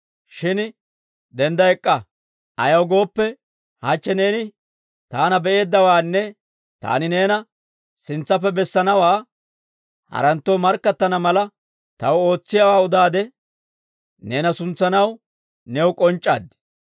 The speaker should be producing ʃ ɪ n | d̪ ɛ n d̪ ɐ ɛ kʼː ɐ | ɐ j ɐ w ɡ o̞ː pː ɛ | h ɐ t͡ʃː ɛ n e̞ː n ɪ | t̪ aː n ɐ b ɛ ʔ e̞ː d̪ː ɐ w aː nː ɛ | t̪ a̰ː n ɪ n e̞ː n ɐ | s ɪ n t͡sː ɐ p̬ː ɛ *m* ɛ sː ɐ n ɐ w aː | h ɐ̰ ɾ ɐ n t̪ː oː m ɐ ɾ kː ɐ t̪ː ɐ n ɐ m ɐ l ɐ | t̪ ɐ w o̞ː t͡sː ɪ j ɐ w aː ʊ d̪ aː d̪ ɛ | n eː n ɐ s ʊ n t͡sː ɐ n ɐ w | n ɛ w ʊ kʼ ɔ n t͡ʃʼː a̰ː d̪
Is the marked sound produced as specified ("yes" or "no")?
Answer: no